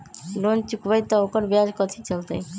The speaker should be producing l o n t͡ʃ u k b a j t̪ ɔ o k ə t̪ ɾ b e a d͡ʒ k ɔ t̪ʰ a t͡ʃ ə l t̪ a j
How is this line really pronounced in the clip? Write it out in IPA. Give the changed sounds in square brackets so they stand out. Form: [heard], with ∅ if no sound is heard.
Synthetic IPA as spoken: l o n t͡ʃ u k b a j t̪ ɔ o k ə [∅] ɾ b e a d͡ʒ k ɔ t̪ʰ [i] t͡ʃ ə l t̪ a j